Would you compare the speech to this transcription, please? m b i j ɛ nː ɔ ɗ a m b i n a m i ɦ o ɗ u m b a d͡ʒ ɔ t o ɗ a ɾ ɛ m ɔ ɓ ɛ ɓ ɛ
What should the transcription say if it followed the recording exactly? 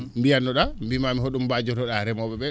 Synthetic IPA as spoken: m b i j a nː ɔ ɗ a m b i m a m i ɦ o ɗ u m b a d͡ʒ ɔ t ɔ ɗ a ɾ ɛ m ɔ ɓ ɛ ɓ ɛ